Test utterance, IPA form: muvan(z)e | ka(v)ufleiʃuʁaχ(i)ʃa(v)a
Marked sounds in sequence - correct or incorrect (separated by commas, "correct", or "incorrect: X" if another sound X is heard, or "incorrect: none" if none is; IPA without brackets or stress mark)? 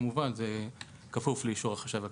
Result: correct, incorrect: f, incorrect: a, correct